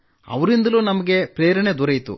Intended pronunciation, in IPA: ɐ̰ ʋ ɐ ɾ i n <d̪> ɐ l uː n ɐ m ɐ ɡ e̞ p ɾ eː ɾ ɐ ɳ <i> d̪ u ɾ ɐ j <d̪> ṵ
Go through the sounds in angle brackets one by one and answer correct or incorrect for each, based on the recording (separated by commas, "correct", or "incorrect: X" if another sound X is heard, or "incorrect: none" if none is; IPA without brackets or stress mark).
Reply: correct, incorrect: e, incorrect: t̪